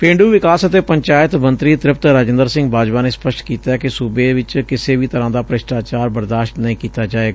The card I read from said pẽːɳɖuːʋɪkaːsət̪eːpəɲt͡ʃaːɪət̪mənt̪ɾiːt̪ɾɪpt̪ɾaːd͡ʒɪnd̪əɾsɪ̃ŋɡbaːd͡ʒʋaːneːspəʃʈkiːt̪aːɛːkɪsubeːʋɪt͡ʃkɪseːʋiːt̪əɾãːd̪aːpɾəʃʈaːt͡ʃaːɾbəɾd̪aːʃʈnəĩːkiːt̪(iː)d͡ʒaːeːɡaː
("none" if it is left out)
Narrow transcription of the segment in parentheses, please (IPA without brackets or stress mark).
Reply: aː